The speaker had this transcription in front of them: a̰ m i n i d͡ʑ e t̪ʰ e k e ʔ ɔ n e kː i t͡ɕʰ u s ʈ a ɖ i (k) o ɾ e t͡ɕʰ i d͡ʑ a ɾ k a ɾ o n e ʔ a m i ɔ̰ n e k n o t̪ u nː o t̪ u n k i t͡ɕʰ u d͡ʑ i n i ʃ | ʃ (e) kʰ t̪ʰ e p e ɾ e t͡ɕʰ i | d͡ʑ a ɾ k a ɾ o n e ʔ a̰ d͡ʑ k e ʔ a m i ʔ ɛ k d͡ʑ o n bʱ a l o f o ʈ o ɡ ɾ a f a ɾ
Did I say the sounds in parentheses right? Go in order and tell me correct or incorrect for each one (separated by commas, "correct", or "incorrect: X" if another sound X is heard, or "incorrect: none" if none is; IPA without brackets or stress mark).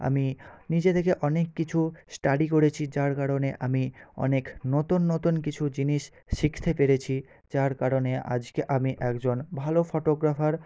correct, incorrect: i